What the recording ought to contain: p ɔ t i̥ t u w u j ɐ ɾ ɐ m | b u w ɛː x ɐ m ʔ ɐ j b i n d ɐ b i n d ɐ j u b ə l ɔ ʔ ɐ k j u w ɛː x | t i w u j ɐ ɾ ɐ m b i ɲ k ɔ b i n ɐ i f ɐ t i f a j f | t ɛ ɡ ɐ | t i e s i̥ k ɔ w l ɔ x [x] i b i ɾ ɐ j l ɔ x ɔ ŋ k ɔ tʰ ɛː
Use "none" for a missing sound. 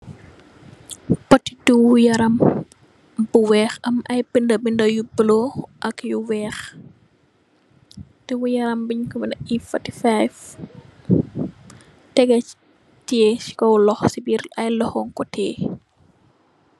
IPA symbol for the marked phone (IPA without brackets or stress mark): s